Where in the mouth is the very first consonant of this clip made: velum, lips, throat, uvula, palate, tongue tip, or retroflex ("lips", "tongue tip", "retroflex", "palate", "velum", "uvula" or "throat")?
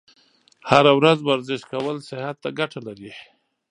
throat